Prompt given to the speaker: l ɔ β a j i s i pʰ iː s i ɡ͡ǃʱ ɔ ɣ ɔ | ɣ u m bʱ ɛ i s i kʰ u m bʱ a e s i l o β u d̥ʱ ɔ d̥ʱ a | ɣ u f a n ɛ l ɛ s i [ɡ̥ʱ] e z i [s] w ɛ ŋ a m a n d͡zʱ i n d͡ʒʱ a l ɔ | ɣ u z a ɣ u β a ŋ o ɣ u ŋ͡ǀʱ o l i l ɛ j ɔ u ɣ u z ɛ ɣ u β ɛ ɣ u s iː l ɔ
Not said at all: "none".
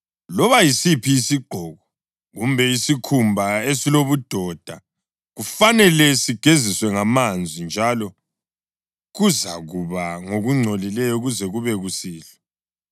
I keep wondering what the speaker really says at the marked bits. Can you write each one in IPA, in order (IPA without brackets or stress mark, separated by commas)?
ɡ̥ʱ, s